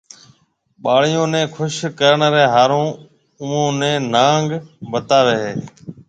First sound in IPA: ɓ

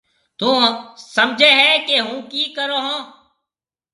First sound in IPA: t̪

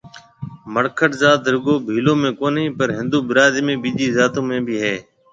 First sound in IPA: m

